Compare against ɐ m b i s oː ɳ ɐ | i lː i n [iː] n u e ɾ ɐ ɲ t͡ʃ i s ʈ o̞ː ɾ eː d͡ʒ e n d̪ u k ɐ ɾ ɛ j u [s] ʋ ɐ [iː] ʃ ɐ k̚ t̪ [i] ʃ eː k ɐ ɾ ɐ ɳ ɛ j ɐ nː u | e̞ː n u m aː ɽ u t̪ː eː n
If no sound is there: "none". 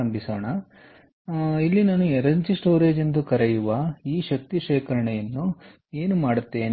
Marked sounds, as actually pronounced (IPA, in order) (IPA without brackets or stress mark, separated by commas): aː, none, iː, i